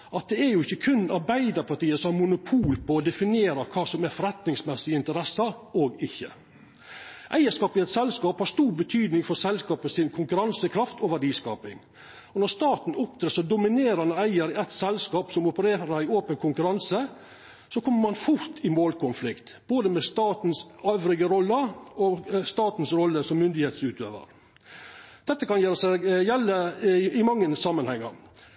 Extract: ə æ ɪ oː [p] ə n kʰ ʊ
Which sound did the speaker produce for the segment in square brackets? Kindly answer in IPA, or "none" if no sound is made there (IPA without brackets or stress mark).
p